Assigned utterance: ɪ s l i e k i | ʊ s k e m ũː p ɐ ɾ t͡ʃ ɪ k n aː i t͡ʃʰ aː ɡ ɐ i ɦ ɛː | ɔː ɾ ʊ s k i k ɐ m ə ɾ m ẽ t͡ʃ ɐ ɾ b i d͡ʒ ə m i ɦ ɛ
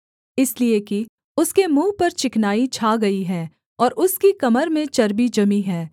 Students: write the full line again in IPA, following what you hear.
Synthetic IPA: ɪ s l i e k i | ʊ s k e m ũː p ɐ ɾ t͡ʃ ɪ k n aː i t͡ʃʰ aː ɡ ɐ i ɦ ɛː | ɔː ɾ ʊ s k i k ɐ m ə ɾ m ẽ t͡ʃ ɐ ɾ b i d͡ʒ ɐ m i ɦ ɛː